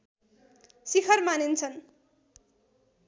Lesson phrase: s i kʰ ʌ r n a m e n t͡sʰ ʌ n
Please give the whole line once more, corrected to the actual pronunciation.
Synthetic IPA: s i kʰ ʌ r m a n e n t͡sʰ ʌ n